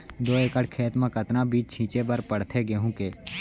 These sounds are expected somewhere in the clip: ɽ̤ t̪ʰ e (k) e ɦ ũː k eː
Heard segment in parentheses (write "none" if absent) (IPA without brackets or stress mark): ɡ